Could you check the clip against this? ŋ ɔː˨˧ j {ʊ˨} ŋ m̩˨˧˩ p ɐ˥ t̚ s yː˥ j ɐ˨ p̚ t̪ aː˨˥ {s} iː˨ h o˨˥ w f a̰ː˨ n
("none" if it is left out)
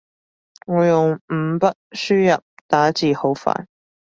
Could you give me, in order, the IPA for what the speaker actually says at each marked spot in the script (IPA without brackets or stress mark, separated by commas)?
ʊ˨, t͡s